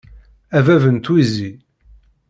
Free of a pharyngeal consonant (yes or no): yes